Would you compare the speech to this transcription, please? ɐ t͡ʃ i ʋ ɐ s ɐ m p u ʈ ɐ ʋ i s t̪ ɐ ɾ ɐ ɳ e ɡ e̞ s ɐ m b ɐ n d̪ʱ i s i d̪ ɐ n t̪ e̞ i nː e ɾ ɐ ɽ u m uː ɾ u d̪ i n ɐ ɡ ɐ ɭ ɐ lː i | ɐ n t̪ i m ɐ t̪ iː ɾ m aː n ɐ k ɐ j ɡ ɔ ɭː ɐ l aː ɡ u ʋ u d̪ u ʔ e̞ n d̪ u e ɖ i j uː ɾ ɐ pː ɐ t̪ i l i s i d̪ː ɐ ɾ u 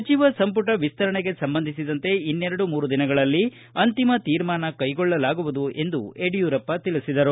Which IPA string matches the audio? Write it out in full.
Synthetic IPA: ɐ t͡ʃ i ʋ ɐ s ɐ m p u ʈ ɐ ʋ i s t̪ ɐ ɾ ɐ ɳ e ɡ e̞ s ɐ m b ɐ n d̪ʱ i s i d̪ ɐ n t̪ e̞ i nː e ɾ ɐ ɽ u m uː ɾ u d̪ i n ɐ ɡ ɐ ɭ ɐ lː i | ɐ n t̪ i m ɐ t̪ iː ɾ m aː n ɐ k ɐ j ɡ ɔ ɭː ɐ l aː ɡ u ʋ u d̪ u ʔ e̞ n d̪ u e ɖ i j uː ɾ ɐ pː ɐ t̪ i l i s i d̪ ɐ ɾ u